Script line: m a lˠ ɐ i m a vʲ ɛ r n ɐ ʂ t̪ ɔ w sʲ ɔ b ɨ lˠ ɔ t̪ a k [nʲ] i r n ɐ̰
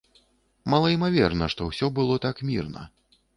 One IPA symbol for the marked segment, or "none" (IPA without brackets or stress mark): mʲ